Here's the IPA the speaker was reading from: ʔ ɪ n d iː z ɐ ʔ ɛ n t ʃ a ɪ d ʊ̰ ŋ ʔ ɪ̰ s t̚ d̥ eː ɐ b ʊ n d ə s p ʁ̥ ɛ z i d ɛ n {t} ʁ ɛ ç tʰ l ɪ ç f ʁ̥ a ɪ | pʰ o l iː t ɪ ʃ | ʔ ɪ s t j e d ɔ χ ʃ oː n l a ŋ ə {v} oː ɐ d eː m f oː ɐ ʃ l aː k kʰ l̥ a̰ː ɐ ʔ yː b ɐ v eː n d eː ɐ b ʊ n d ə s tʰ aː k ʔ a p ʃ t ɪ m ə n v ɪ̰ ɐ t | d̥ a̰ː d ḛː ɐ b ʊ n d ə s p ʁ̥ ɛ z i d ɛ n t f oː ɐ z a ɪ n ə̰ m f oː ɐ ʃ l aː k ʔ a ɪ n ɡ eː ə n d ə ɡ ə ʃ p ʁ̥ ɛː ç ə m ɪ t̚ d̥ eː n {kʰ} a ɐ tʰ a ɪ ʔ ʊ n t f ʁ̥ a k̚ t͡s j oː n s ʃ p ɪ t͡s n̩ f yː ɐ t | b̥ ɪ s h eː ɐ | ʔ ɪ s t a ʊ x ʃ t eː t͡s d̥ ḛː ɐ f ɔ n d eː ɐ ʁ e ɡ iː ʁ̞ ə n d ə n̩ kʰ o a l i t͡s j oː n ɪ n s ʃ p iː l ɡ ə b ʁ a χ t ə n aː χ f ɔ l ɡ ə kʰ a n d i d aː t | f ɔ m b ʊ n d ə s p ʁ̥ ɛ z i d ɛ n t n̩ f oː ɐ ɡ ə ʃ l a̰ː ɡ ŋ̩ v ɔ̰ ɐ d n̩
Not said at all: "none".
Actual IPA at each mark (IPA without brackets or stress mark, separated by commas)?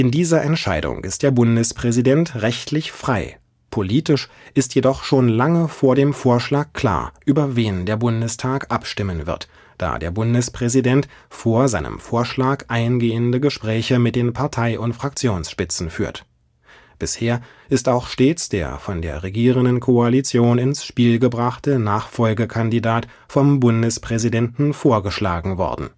t, f, pʰ